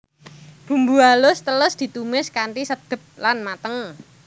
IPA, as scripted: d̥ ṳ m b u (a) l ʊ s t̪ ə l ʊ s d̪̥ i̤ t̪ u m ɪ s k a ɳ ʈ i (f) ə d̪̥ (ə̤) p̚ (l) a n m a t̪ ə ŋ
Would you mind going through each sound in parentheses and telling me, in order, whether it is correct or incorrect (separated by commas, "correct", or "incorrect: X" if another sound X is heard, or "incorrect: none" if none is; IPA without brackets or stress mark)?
correct, incorrect: s, correct, correct